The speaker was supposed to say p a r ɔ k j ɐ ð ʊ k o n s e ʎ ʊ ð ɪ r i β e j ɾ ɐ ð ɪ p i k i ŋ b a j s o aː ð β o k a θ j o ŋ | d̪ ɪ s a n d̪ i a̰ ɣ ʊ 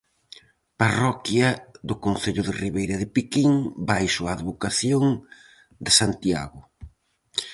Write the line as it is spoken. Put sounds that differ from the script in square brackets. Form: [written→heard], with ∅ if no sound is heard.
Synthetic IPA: p a r ɔ k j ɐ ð ʊ k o n [s→θ] e ʎ ʊ ð ɪ r i β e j ɾ ɐ ð ɪ p i k i ŋ b a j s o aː ð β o k a θ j o ŋ | d̪ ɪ s a n [d̪→t̪] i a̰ ɣ ʊ